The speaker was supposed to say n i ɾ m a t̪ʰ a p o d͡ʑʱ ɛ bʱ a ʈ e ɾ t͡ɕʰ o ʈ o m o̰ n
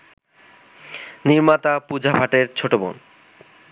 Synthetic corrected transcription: n i ɾ m a t̪ a p u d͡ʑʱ a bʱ a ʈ e ɾ t͡ɕʰ o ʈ o b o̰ n